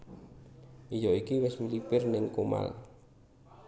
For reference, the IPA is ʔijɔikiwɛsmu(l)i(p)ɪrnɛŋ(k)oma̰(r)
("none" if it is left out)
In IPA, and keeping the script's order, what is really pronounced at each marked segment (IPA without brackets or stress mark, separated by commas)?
l, p, k, l